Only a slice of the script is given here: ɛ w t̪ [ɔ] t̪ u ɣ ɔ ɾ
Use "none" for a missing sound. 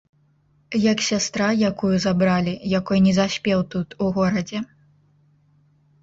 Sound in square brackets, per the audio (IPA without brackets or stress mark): u